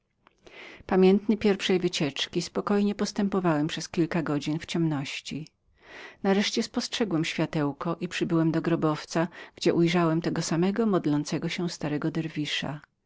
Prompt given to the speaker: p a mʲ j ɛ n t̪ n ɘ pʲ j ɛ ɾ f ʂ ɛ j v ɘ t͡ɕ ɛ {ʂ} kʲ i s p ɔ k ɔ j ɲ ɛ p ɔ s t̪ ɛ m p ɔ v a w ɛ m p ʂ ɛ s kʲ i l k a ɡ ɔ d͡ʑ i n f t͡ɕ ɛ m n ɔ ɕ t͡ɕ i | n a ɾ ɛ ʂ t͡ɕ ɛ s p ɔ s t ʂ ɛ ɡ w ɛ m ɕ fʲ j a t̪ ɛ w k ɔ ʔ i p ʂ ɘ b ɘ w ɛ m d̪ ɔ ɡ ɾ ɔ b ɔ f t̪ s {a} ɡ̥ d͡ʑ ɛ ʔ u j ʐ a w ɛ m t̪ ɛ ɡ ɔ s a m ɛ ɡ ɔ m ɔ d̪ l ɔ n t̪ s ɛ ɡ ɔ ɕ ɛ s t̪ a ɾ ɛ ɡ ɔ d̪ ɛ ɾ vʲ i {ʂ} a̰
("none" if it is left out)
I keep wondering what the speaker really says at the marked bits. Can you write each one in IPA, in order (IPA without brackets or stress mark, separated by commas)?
t͡ʂ, a, ʂ